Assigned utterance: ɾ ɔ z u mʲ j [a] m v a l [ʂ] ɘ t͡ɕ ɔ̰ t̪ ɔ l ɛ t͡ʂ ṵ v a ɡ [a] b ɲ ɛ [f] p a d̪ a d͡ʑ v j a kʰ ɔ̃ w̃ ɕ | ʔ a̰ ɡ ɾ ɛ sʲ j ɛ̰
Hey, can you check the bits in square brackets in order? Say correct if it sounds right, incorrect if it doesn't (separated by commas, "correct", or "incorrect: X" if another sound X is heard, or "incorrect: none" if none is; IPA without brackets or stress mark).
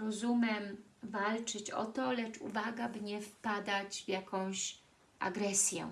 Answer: incorrect: ɛ, incorrect: t͡ʂ, correct, correct